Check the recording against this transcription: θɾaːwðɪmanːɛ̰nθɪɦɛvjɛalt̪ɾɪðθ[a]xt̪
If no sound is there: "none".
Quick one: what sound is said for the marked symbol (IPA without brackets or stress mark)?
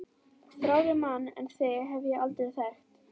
ɛ